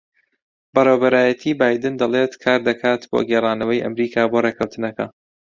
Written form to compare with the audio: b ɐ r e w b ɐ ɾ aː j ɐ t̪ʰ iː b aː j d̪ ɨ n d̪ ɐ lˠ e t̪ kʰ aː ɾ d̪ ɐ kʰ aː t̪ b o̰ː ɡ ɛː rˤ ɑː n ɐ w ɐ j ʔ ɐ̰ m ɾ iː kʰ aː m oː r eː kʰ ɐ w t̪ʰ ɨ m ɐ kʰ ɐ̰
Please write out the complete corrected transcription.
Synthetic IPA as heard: b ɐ r e w b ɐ ɾ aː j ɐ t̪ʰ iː b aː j d̪ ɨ n d̪ ɐ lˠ e t̪ kʰ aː ɾ d̪ ɐ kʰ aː t̪ b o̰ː ɡ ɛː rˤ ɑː n ɐ w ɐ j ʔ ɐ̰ m ɾ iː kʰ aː b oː r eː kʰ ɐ w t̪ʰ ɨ n ɐ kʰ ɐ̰

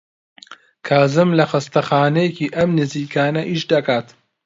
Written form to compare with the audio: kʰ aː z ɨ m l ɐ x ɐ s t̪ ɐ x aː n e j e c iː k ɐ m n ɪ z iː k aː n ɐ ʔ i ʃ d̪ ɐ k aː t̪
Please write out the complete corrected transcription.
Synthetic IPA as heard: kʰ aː z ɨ m l ɐ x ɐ s t̪ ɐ x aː n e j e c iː ʔ ɐ m n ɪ z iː k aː n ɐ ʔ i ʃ d̪ ɐ k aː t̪

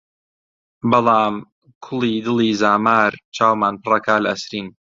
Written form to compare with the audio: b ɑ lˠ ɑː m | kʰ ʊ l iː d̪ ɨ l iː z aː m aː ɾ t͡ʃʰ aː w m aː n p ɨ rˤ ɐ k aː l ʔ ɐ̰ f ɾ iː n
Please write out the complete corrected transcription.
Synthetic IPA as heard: b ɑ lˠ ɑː m | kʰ ʊ l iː d̪ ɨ l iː z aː m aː ɾ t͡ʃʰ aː w m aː n p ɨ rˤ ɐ k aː l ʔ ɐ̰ s ɾ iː n

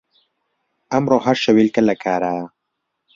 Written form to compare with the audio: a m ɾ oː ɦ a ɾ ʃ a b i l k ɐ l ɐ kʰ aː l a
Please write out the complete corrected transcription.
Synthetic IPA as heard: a m ɾ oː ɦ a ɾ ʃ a w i l k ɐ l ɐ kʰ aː ɾ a

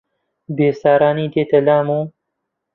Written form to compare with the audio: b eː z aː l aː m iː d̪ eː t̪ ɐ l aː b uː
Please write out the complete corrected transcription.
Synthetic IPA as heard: b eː s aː ɾ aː n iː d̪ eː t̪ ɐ l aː m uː

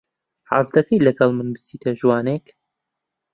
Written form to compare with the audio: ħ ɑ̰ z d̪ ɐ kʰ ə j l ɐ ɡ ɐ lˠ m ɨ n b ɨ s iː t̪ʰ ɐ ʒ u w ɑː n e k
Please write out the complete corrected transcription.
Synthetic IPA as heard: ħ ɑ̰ z d̪ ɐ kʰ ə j l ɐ ɡ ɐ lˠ m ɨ n b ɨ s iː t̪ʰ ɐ ʒ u w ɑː n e k

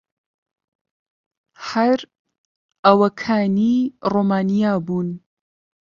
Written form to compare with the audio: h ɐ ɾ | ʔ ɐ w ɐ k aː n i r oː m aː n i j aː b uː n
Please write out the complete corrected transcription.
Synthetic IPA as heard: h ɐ ɾ | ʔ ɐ w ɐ kʰ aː n i r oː m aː n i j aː b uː n

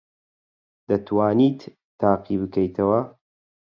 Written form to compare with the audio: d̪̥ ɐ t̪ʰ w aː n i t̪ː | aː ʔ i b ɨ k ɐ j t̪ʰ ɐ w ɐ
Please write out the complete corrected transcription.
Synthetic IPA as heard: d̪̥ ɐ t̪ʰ w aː n i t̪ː | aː q i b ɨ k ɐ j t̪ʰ ɐ w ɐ

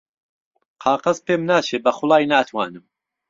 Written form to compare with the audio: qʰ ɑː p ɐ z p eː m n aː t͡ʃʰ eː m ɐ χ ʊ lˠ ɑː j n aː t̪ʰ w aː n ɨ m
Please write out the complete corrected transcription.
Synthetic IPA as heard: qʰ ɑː q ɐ z p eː m n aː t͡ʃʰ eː b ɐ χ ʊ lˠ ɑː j n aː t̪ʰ w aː n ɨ m

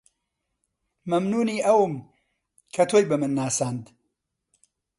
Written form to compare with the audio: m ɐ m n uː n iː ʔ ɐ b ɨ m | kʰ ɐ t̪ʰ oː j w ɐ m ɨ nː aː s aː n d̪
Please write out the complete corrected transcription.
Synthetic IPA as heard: m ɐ m n uː n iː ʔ ɐ w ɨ m | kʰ ɐ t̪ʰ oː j b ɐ m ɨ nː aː s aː n d̪

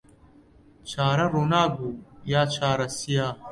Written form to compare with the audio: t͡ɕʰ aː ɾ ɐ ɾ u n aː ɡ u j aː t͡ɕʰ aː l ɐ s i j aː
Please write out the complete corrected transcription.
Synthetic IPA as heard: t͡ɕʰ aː ɾ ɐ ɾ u n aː ɡ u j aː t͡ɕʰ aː ɾ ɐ s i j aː

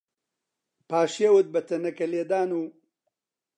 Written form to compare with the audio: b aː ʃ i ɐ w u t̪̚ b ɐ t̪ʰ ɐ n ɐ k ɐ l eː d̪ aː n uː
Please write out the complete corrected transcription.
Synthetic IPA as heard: p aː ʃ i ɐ w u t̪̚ b ɐ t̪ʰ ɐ n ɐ k ɐ l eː d̪ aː n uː

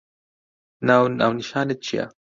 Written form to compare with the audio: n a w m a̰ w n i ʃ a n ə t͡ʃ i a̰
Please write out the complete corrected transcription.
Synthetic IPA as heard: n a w n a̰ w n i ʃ a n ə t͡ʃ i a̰

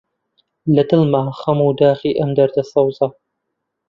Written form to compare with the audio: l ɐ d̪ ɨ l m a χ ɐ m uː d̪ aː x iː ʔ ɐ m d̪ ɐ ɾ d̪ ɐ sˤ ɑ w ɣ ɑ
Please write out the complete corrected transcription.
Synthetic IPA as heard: l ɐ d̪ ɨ l m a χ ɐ m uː d̪ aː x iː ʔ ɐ m d̪ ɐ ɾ d̪ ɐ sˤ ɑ w z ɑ

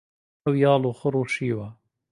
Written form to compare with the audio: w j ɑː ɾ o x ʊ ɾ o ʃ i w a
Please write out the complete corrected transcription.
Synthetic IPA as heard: w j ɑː l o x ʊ ɾ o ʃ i w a

